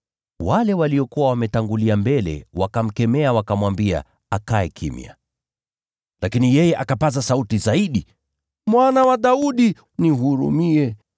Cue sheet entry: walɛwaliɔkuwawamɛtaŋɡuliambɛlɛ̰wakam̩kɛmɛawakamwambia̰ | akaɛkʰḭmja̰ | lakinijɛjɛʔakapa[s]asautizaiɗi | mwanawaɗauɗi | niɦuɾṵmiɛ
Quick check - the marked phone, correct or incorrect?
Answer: incorrect